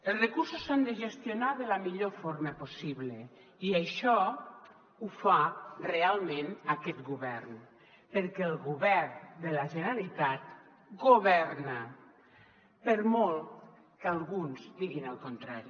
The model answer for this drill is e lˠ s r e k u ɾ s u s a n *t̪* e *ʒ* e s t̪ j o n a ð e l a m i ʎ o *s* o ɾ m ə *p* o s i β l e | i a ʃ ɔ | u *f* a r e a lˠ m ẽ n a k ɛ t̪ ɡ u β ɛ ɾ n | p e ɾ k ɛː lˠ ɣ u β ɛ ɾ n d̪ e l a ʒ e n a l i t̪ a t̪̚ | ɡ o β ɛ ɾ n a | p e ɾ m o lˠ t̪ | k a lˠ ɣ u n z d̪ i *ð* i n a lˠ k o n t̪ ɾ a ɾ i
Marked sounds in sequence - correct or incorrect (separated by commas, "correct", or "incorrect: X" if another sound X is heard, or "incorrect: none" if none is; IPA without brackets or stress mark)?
incorrect: d̪, correct, incorrect: f, correct, correct, incorrect: ɣ